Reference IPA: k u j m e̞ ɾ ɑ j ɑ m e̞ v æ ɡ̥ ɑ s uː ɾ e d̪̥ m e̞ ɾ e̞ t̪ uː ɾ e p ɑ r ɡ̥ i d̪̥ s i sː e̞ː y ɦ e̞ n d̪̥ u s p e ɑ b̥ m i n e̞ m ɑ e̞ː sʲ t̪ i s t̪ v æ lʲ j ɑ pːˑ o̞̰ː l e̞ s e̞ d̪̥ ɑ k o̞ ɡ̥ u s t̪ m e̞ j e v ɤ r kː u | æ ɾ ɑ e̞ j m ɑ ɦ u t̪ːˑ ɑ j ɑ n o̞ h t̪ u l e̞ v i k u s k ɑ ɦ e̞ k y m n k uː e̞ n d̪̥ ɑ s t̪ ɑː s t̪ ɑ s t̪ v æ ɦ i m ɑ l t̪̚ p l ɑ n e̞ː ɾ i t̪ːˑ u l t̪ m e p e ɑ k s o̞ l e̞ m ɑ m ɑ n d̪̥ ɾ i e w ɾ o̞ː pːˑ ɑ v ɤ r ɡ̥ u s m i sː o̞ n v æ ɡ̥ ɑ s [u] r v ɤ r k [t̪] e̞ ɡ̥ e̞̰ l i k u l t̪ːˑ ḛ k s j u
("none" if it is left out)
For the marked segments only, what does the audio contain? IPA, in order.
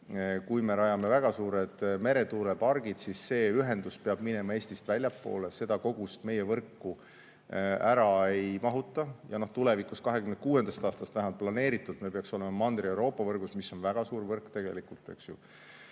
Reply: uː, t̪

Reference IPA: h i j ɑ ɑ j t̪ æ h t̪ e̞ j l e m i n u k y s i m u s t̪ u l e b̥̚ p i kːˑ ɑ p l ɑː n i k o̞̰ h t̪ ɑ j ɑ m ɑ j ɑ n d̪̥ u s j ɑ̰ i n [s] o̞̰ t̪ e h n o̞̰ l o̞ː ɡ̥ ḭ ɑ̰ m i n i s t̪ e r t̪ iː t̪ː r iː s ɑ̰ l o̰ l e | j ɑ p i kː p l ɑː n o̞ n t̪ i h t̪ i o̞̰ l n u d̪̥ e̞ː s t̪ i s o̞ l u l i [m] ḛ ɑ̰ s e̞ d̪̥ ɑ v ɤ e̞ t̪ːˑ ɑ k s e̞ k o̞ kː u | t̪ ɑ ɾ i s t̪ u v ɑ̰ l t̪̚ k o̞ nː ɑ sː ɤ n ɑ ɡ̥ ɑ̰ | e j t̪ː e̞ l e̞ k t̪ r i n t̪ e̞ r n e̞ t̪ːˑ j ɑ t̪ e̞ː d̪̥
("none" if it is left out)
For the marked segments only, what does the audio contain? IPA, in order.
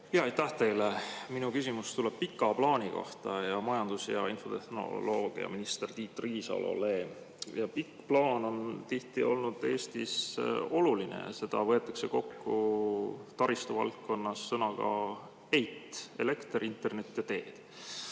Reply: f, n

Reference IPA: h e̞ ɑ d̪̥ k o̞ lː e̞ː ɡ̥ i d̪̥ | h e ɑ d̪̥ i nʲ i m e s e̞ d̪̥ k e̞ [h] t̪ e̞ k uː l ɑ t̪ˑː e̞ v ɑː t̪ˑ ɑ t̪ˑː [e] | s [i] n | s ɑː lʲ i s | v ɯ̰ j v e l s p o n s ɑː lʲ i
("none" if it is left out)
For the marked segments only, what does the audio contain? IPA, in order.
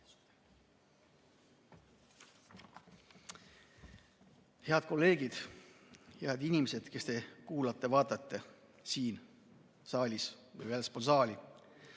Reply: s, e, iː

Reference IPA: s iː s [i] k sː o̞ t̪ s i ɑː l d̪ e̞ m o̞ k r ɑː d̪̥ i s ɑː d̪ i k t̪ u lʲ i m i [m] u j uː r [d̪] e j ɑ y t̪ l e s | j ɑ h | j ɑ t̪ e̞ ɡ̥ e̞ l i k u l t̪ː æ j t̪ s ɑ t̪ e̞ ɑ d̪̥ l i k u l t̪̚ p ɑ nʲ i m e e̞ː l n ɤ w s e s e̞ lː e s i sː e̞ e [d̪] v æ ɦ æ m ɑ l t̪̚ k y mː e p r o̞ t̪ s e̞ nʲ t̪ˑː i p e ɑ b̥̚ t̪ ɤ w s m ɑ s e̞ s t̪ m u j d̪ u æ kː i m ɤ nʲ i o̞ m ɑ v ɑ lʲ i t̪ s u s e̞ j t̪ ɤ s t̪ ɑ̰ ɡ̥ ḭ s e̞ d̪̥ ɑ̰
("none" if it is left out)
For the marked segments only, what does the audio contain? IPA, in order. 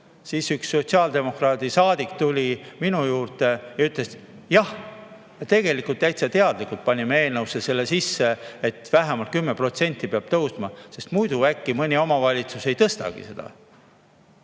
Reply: y, n, t̪, t̪

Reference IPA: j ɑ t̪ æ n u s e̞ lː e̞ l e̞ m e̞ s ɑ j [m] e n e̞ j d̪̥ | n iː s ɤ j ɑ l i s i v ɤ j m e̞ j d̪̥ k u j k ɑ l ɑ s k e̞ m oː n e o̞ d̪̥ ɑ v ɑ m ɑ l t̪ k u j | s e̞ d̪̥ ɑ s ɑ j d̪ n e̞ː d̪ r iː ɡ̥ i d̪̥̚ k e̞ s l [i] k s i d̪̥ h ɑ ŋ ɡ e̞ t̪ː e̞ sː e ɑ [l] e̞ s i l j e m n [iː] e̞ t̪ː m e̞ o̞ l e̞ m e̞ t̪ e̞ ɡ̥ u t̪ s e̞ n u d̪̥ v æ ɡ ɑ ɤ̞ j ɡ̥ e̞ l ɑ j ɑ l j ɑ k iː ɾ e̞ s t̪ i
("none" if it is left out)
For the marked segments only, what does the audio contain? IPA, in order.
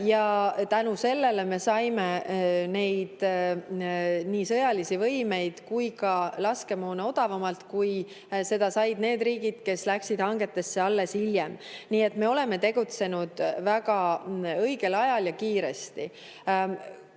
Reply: m, æ, lː, iː

